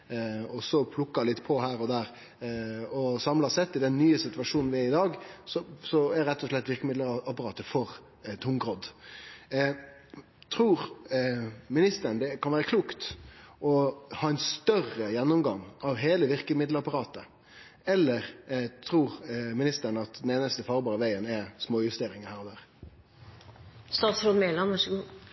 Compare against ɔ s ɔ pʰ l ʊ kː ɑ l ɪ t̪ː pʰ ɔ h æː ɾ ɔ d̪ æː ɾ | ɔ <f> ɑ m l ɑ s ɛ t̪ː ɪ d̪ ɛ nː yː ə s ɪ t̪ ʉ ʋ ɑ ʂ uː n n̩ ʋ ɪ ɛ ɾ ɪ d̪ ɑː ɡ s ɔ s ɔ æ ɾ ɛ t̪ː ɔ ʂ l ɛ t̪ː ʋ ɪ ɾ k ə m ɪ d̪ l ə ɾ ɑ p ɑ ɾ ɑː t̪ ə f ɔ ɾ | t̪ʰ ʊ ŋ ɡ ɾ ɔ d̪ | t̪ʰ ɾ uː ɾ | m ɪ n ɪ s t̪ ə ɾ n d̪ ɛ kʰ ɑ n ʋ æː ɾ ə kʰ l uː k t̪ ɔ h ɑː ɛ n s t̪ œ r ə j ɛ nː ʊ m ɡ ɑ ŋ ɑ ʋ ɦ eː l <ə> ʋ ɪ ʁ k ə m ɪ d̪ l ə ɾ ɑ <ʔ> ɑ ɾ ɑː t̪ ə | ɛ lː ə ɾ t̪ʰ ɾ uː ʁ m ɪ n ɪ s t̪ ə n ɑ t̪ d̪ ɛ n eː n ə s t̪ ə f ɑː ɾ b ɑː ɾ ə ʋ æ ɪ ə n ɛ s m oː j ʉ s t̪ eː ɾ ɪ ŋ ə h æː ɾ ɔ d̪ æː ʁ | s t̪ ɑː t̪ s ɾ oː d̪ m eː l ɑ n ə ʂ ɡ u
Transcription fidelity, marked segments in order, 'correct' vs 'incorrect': incorrect: s, correct, incorrect: p

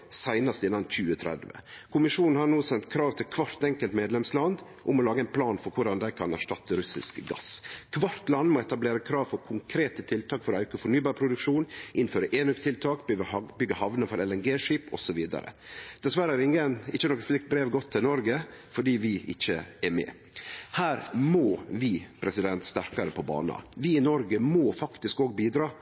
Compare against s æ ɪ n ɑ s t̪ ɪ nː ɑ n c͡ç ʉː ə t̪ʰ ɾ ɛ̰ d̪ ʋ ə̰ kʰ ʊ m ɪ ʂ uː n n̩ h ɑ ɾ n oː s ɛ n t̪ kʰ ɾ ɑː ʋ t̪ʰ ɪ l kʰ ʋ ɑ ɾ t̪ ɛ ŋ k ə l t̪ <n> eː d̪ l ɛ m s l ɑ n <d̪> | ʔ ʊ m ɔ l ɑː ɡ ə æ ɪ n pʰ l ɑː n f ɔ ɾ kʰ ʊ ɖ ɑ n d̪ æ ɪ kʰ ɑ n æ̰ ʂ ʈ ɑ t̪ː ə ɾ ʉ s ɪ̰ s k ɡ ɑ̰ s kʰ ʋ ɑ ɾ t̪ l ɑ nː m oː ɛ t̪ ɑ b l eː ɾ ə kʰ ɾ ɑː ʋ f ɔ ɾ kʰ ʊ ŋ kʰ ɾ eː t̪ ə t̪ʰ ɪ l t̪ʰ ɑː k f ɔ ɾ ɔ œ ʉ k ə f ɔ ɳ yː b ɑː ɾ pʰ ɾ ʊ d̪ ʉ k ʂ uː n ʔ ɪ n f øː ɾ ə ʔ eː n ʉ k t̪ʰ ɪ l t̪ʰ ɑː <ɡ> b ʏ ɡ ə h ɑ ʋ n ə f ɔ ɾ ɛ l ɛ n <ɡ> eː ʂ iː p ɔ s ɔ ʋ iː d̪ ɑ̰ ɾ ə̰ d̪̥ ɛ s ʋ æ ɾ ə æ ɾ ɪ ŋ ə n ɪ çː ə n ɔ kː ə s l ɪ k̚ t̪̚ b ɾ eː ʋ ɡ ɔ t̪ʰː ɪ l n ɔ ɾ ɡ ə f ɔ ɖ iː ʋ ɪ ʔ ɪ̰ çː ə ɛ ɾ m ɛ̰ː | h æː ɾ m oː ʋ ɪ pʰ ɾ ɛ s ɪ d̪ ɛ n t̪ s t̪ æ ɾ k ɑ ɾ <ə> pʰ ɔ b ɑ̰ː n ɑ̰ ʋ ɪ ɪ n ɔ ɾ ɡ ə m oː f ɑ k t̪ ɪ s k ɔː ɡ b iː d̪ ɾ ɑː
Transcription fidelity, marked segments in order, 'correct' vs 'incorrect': incorrect: m, correct, incorrect: k, correct, correct

